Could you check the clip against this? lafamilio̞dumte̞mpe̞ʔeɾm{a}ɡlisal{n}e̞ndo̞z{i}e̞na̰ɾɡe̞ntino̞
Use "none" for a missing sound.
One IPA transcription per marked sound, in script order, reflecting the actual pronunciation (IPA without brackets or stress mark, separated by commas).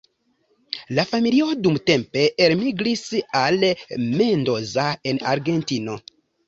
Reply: i, m, a